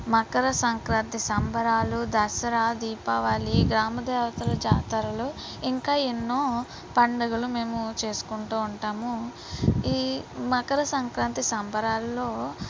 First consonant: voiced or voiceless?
voiced